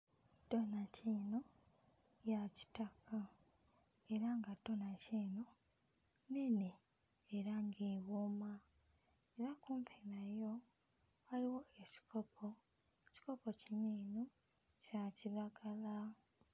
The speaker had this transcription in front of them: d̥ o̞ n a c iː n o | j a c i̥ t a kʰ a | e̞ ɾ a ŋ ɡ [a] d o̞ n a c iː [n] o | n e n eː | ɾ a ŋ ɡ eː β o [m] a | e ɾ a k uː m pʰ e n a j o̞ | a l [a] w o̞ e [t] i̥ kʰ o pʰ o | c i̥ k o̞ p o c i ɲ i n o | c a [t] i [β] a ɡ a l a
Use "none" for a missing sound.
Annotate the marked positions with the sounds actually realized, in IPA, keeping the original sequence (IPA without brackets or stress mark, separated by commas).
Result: a, n, m, i, c, c, β